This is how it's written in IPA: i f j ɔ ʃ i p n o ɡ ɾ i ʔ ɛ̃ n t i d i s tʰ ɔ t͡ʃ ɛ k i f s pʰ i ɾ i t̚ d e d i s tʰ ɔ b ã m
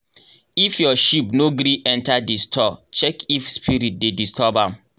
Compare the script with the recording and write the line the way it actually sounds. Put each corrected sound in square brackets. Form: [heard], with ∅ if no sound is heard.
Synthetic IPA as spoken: i f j ɔ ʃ i p n o ɡ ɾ i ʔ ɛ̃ n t [a] d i s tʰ ɔ t͡ʃ ɛ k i f s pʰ i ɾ i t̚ d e d i s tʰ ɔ b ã m